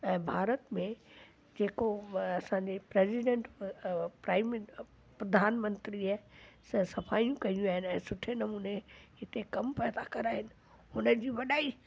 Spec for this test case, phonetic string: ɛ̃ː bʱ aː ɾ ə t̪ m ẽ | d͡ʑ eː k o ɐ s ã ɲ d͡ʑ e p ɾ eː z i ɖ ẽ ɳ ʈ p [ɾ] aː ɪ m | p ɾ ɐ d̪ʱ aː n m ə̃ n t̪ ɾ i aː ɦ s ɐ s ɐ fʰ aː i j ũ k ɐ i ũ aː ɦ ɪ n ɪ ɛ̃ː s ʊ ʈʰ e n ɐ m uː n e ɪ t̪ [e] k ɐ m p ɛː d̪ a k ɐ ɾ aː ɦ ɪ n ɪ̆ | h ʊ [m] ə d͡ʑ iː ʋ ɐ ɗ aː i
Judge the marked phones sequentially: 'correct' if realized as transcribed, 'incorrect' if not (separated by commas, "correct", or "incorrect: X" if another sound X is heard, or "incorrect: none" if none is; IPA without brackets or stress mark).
correct, correct, incorrect: n